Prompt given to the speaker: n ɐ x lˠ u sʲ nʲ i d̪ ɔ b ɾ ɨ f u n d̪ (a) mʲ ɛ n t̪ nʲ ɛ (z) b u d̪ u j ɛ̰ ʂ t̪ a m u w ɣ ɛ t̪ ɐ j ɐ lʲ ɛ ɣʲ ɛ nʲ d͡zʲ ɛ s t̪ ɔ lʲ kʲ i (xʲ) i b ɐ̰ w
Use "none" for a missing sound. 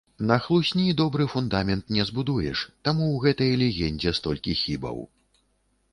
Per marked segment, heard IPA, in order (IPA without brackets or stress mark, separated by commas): a, z, xʲ